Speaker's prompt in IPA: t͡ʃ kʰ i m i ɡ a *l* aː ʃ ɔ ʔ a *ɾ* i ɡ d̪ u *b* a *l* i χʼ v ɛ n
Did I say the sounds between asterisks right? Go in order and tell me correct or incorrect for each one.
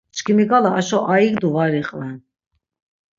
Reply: correct, incorrect: none, incorrect: v, incorrect: ɾ

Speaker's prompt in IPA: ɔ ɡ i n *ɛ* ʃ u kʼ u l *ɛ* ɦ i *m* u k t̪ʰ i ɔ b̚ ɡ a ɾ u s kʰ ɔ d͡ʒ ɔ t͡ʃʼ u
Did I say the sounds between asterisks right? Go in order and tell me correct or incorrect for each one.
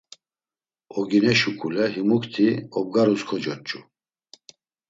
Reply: correct, correct, correct

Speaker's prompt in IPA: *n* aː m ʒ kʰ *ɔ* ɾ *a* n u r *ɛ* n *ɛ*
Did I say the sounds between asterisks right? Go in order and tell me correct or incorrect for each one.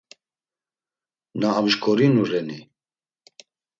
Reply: correct, correct, incorrect: i, correct, incorrect: i

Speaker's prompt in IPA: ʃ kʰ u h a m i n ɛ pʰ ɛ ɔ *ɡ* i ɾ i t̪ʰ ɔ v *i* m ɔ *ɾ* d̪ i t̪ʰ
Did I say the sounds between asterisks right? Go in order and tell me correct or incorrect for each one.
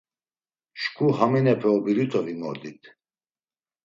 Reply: incorrect: b, correct, correct

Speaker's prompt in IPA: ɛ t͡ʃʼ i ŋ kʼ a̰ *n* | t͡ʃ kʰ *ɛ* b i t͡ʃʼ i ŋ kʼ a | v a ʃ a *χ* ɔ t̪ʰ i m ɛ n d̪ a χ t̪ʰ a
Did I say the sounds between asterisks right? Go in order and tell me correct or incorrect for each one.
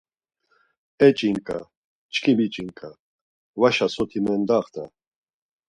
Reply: incorrect: none, incorrect: i, incorrect: s

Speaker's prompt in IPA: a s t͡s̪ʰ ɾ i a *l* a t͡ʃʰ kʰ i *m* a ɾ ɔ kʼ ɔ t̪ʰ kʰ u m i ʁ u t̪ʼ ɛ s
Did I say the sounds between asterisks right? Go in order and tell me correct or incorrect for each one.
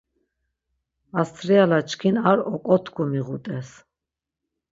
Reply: correct, incorrect: n

